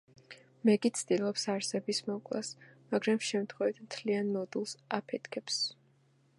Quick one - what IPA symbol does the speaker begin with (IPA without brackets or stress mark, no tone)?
m